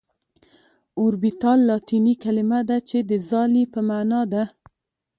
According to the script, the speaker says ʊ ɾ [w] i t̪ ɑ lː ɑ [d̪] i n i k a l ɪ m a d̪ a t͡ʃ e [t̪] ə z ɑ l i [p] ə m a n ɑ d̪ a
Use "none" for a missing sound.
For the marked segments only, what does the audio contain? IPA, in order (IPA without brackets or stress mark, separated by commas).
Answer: b, t̪, d̪, p